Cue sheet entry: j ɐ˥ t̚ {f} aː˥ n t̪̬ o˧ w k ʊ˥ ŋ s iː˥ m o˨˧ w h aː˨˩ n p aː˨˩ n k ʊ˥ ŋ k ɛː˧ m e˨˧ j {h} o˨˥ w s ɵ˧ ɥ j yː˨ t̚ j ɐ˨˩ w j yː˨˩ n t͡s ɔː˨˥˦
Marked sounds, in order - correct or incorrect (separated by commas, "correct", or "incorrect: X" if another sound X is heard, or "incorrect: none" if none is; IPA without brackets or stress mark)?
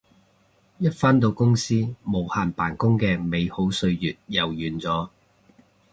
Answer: correct, correct